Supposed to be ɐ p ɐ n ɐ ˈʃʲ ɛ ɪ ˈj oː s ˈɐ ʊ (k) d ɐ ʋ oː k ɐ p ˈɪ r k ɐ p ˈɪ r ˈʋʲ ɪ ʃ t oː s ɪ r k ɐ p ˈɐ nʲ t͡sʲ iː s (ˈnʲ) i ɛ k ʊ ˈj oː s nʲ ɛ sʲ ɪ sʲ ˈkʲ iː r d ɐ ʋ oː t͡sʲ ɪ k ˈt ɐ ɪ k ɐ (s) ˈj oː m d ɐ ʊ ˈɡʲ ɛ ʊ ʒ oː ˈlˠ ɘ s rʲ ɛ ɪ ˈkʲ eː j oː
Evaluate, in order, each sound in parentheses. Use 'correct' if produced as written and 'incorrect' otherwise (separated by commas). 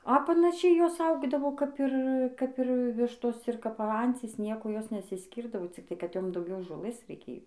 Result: incorrect, correct, incorrect